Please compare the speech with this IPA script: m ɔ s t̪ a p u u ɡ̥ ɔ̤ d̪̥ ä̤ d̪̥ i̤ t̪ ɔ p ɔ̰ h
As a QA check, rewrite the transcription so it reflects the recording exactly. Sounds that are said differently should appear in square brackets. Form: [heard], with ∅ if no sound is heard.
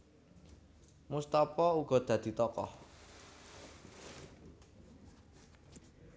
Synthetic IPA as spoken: m [u] s t̪ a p [ɔ] u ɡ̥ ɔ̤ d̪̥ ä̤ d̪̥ i̤ t̪ ɔ [k] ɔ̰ h